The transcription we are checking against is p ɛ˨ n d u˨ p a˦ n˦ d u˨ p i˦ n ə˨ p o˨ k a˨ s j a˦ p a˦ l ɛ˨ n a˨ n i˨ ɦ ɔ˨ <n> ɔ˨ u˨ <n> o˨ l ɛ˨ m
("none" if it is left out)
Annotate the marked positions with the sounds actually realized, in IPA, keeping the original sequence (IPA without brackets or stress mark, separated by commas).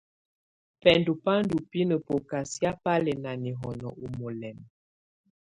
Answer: n, m